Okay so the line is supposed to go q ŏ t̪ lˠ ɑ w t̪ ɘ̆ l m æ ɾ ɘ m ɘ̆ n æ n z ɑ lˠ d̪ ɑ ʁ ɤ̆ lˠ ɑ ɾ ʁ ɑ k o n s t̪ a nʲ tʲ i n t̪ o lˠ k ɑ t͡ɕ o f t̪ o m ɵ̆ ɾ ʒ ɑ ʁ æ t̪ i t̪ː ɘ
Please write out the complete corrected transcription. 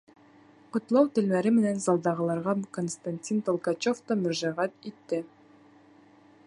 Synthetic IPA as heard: q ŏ t̪ lˠ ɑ w t̪ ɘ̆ l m æ ɾ ɘ m ɘ̆ n æ n z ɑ lˠ d̪ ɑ ʁ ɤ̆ lˠ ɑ ɾ ʁ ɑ k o n s t̪ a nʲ tʲ i n t̪ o lˠ k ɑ t͡ɕ o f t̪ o m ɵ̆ ɾ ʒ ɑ ʁ æ t̪ i t̪ː ɘ